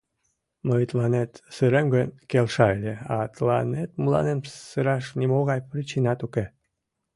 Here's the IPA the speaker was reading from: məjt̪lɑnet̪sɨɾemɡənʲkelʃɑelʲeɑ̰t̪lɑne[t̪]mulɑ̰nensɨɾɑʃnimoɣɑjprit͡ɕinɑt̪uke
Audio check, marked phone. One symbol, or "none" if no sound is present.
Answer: t̪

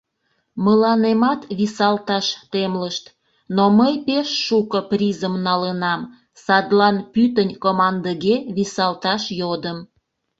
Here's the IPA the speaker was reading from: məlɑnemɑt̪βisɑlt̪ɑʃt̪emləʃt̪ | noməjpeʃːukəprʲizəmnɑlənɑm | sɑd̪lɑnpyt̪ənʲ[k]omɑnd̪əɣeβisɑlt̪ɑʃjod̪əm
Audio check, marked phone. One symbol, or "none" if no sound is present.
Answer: k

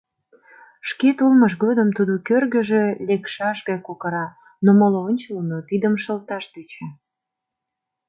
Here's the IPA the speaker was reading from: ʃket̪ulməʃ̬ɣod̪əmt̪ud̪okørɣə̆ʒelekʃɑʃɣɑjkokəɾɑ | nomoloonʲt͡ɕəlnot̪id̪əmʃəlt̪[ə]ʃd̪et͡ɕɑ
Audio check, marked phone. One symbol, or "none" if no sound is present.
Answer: ɑ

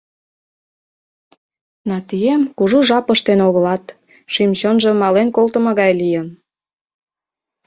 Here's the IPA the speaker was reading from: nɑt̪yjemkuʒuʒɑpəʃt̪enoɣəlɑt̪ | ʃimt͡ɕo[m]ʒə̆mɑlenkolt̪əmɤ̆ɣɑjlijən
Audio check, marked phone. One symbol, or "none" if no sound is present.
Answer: n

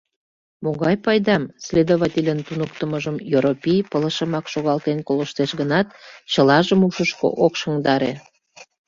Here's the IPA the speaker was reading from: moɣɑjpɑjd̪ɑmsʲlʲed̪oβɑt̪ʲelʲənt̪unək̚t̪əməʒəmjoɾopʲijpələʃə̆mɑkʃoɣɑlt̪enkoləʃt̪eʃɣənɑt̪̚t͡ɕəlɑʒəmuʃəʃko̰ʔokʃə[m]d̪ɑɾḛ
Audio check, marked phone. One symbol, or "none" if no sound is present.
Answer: ŋ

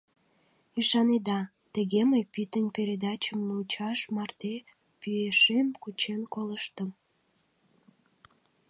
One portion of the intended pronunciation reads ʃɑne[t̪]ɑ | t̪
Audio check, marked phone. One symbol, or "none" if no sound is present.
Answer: d̪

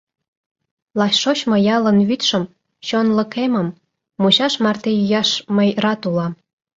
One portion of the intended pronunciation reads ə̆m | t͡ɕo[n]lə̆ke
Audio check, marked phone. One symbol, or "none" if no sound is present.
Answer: n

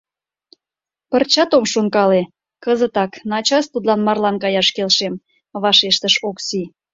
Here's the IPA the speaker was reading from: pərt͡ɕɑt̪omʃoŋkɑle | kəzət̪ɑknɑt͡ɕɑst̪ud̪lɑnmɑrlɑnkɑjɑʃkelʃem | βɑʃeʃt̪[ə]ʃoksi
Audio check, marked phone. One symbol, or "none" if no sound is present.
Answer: ə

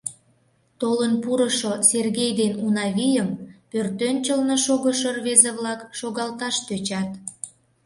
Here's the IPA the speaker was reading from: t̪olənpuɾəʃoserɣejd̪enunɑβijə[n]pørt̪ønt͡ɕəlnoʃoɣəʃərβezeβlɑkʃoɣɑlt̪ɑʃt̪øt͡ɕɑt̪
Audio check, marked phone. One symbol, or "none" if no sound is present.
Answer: m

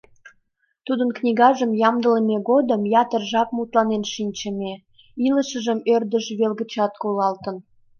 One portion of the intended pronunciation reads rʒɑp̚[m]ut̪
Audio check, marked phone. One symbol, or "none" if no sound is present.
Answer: m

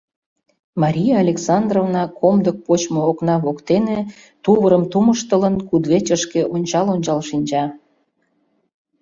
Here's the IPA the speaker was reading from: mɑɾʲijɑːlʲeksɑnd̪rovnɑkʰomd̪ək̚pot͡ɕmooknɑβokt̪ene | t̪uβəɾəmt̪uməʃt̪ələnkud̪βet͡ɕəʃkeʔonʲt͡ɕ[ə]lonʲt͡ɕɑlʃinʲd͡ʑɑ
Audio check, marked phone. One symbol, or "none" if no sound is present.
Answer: ɑ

